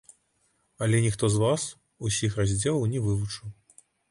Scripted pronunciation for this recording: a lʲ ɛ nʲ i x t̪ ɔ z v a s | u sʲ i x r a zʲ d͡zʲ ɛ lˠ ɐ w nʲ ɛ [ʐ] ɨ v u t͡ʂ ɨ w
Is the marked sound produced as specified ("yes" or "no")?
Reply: no